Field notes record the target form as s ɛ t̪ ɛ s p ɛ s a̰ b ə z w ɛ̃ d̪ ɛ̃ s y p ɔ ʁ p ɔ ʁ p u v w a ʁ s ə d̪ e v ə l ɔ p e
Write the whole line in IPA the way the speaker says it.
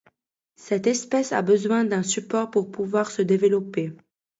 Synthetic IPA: s ɛ t̪ ɛ s p ɛ s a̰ b ə z w ɛ̃ d̪ ɛ̃ s y p ɔ ʁ p u ʁ p u v w a ʁ s ə d̪ e v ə l ɔ p e